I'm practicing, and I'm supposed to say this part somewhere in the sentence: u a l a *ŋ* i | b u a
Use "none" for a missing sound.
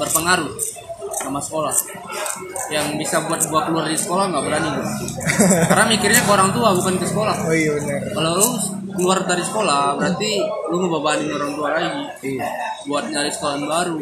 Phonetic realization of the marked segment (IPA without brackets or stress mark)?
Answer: ɡ